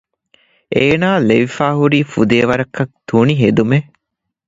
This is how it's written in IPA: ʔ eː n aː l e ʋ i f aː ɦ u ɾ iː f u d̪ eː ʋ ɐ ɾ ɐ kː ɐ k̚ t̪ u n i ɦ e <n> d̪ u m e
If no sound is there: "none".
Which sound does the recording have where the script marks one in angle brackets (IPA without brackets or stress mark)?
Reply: none